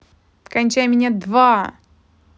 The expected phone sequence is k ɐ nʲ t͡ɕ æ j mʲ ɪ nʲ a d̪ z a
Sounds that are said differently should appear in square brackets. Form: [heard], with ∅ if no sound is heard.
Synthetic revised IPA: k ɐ nʲ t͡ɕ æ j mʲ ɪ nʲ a d̪ [v] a